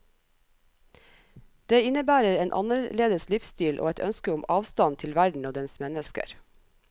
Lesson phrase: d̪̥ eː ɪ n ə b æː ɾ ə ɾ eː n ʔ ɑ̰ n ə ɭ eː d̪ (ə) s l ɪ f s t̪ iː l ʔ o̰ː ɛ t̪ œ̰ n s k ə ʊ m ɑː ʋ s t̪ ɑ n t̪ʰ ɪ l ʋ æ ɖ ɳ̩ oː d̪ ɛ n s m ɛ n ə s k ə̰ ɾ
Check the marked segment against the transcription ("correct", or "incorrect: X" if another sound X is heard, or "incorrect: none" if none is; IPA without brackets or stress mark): correct